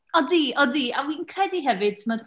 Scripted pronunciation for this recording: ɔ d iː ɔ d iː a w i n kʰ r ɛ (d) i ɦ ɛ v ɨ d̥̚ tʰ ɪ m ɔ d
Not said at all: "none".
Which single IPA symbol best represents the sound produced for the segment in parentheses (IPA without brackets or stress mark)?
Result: d